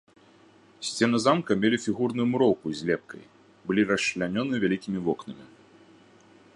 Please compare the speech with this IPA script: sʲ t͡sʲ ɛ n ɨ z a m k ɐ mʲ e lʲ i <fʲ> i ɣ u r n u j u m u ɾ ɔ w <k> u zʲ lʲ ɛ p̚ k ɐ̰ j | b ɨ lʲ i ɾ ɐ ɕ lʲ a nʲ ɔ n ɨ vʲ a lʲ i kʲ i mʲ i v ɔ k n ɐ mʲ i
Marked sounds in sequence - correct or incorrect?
correct, correct

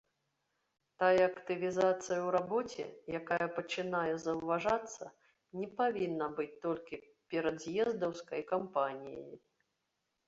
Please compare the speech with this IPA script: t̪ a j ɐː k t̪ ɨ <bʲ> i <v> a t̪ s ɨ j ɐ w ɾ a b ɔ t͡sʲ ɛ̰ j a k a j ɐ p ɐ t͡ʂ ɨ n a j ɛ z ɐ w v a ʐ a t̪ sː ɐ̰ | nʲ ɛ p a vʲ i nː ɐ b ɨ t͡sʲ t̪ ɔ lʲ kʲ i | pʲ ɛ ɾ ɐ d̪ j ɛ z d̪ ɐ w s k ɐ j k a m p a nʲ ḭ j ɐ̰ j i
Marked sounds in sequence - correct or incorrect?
incorrect: vʲ, incorrect: z

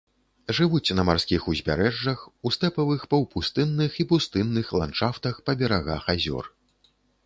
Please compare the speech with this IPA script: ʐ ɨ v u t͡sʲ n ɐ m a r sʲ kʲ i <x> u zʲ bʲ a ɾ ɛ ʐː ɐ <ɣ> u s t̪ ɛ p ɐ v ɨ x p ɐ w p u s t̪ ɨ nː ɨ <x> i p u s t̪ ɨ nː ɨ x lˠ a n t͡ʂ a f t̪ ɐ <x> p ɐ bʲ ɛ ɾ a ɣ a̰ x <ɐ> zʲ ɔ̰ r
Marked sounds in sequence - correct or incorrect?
correct, incorrect: x, correct, correct, incorrect: a

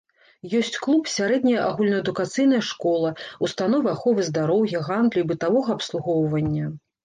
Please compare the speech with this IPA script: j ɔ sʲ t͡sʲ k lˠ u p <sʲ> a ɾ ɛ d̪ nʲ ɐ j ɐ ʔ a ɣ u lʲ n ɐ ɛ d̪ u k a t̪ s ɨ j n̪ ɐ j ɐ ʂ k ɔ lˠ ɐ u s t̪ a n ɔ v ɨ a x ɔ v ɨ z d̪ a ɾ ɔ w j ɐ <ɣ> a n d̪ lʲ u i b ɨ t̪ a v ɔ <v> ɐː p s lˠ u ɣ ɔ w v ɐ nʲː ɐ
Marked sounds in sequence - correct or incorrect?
correct, correct, incorrect: ɣ

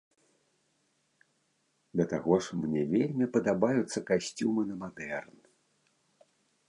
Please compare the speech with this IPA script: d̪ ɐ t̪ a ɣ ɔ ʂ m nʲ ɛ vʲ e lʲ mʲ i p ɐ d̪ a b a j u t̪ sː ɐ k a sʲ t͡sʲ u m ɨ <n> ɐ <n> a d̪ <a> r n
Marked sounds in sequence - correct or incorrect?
correct, incorrect: m, incorrect: ɛ

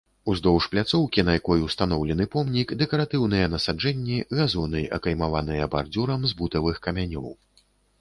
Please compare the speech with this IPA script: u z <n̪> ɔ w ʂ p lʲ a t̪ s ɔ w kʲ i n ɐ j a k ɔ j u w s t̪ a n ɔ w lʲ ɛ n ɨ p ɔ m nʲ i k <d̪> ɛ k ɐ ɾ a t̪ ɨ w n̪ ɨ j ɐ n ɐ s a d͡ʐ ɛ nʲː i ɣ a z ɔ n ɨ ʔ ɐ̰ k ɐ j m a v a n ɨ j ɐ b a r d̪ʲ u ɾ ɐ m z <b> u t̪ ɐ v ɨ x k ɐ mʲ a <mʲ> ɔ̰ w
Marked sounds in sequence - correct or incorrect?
incorrect: d̪, correct, correct, incorrect: nʲ

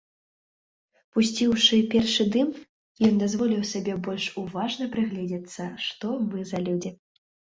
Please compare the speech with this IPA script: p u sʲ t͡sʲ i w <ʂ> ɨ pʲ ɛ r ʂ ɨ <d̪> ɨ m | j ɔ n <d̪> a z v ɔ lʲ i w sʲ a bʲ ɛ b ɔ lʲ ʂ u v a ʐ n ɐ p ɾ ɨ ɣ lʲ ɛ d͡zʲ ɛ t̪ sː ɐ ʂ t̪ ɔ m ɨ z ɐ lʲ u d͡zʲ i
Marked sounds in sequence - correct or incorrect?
correct, correct, correct

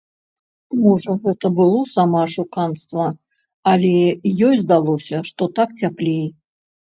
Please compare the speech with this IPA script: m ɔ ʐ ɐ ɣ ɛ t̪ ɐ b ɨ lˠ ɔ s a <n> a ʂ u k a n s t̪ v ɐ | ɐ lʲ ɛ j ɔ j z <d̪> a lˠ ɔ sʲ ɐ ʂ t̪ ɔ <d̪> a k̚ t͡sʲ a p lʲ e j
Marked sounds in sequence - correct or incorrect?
incorrect: m, correct, incorrect: t̪

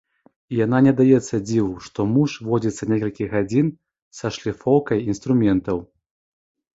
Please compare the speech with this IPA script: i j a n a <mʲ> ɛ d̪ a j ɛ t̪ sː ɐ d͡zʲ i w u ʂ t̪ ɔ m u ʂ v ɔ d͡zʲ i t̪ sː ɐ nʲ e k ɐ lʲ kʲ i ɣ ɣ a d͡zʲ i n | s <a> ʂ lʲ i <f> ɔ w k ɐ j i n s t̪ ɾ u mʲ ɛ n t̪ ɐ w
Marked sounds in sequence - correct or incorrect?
incorrect: nʲ, incorrect: ɐ, correct

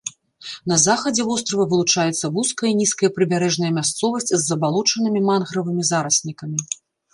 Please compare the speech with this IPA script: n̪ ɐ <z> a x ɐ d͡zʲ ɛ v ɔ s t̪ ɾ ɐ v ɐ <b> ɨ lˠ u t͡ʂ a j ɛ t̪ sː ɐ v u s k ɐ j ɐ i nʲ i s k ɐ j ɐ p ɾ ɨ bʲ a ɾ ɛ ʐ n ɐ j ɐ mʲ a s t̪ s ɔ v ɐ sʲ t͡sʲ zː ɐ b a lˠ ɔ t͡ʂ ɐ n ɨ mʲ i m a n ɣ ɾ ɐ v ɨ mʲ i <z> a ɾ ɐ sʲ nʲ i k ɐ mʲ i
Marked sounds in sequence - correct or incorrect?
correct, incorrect: v, correct

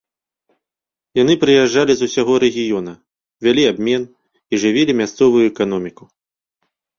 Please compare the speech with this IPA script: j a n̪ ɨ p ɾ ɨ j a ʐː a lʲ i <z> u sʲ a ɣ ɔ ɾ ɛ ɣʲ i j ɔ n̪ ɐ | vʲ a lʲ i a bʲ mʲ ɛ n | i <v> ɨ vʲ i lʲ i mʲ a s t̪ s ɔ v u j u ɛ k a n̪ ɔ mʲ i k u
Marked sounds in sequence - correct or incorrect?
correct, incorrect: ʐ

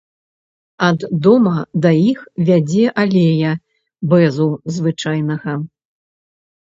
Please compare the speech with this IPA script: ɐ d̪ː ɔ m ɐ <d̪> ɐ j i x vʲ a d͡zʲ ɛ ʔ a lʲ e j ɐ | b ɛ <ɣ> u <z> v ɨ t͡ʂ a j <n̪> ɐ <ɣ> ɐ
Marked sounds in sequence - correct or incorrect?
correct, incorrect: z, correct, correct, correct

